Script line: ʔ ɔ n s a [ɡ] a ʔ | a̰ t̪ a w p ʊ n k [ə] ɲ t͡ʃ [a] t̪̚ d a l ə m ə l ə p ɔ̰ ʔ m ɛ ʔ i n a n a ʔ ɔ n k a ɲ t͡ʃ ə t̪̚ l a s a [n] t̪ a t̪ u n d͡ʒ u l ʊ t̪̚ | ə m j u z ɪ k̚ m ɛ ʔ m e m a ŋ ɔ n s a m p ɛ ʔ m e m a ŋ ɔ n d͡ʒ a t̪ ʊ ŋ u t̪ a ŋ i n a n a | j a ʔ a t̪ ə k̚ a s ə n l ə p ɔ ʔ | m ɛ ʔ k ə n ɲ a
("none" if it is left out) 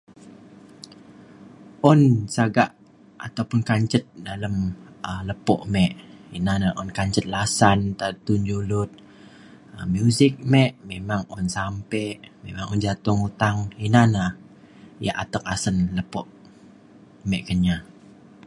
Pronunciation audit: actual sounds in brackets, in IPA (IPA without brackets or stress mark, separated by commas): ɡ, a, ə, n